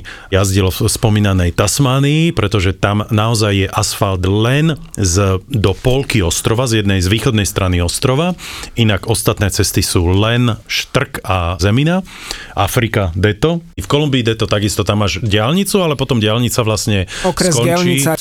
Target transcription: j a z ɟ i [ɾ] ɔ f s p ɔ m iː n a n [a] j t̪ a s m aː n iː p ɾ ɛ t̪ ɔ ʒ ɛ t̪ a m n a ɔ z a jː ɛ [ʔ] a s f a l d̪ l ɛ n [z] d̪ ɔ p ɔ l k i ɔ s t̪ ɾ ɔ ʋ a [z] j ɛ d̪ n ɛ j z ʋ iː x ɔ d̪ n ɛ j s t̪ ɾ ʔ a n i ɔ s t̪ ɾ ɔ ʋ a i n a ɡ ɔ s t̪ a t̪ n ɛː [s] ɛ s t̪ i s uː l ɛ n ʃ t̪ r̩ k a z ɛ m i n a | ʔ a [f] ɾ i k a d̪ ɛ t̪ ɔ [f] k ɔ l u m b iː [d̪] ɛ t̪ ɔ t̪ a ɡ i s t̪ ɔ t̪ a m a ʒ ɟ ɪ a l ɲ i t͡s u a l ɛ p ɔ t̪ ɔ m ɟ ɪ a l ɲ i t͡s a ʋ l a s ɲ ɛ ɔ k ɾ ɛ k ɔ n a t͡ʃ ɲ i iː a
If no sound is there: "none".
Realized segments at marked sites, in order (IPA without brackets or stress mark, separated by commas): l, ɛ, ʔ, z, z, t͡s, f, f, d̪